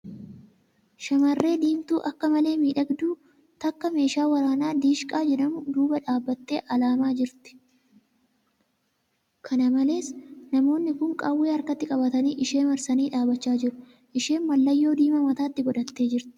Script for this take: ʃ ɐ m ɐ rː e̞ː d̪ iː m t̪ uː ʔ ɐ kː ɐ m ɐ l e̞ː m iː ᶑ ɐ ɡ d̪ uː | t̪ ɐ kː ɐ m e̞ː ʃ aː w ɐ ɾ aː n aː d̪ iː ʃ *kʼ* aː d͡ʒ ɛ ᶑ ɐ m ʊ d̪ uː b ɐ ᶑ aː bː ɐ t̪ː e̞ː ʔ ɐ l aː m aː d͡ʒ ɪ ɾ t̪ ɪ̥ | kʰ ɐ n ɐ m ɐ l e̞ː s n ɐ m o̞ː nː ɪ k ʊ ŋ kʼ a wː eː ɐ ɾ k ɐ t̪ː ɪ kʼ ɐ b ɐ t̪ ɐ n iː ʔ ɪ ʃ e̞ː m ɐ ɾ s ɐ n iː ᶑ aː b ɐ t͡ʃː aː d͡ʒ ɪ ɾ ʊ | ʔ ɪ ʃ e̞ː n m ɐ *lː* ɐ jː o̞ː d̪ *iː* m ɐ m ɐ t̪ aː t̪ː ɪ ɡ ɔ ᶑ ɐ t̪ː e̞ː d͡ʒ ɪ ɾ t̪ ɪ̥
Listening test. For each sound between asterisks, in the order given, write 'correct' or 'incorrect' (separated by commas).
correct, correct, correct